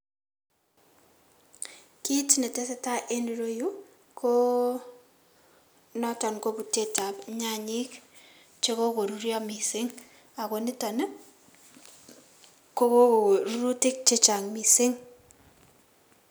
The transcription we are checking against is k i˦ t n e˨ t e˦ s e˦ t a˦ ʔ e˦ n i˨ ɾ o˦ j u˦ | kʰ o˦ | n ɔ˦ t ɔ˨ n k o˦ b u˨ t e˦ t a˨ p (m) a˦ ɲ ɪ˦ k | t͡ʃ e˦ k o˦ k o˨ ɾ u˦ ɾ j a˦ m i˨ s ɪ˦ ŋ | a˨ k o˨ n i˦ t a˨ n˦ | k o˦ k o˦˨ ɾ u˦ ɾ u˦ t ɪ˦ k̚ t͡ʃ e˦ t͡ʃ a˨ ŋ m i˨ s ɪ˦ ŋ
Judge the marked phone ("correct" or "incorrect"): incorrect